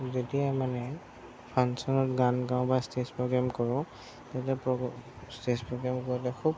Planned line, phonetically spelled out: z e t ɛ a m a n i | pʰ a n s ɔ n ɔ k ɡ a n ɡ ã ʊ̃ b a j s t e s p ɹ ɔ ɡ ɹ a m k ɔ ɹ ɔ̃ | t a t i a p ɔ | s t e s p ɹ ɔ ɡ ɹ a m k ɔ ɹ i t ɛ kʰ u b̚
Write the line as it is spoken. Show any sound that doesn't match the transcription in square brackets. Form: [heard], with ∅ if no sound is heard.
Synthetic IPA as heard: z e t [i] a m a n [ɛ] | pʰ a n s ɔ n ɔ [t] ɡ a n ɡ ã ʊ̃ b a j s t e s p ɹ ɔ ɡ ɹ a m k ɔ ɹ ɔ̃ | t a t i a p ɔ | s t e s p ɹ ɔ ɡ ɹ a m k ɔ ɹ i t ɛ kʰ u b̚